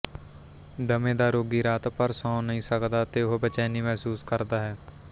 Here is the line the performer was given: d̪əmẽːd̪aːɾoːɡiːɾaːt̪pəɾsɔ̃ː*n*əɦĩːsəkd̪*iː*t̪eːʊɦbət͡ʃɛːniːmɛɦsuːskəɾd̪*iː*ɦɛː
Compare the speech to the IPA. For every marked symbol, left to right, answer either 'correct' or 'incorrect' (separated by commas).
correct, incorrect, incorrect